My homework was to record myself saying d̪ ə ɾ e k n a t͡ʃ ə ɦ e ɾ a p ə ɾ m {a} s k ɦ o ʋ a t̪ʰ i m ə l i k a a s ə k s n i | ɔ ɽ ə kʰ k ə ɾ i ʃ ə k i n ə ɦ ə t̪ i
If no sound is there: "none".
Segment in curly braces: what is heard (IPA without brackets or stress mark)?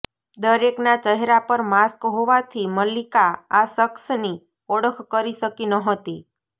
a